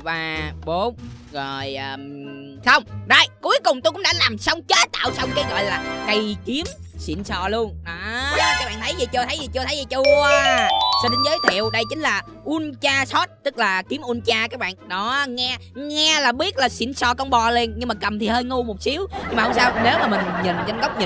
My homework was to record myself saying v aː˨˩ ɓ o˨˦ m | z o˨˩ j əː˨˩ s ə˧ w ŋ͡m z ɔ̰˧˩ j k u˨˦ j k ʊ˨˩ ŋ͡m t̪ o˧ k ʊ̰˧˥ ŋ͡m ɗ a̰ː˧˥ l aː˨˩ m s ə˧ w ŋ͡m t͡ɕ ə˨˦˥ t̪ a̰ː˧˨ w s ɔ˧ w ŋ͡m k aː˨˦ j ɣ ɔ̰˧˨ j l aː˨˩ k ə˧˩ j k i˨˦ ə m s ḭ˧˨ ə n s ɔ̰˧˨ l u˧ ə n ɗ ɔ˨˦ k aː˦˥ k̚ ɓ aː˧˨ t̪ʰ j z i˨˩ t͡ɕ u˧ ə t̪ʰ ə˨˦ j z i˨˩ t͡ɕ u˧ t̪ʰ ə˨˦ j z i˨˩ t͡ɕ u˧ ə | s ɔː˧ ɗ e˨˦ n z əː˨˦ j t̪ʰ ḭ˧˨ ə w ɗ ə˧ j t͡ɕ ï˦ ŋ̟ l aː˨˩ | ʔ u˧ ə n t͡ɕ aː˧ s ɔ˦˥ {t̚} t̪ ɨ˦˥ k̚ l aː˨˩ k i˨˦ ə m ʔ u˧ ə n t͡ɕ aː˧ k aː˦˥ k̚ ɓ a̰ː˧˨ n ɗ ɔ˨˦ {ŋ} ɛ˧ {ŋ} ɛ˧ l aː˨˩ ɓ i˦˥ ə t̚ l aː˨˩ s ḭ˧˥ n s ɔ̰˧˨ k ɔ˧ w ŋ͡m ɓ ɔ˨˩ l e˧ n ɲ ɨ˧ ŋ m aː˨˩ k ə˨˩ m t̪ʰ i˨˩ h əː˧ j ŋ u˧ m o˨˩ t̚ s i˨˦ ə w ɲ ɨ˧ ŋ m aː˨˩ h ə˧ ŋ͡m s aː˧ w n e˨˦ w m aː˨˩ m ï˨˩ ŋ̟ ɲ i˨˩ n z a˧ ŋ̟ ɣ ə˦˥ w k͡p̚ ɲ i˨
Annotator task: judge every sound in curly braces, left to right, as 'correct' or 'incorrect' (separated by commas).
correct, correct, correct